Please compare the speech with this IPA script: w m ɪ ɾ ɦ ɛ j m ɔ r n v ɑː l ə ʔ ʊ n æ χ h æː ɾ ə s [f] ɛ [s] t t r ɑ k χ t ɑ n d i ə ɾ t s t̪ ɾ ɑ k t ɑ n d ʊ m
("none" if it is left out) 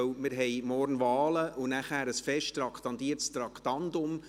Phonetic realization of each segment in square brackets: f, ʃ

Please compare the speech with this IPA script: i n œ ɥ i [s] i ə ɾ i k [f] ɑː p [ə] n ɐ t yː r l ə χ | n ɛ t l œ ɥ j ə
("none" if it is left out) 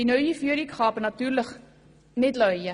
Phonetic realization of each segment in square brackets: f, χ, ə

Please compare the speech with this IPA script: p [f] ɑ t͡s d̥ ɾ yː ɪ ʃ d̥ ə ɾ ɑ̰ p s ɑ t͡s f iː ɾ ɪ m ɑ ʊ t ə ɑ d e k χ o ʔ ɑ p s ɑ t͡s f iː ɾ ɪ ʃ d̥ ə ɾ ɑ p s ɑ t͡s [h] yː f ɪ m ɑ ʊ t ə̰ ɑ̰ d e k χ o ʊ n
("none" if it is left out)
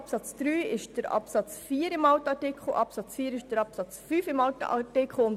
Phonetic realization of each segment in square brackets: s, f

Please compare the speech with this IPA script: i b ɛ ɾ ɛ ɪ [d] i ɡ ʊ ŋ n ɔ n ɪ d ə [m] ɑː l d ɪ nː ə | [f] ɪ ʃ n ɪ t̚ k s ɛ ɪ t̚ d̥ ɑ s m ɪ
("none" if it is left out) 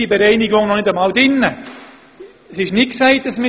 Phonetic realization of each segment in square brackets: n, m, s

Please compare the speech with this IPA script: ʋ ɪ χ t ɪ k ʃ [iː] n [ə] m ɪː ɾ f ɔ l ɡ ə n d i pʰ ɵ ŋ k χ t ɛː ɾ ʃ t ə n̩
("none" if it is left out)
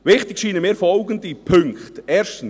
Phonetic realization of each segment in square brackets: iː, ə

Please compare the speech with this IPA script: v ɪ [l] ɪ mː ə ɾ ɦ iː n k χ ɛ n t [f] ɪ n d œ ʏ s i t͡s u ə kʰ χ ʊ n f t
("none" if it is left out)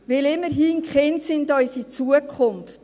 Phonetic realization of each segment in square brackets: l, s

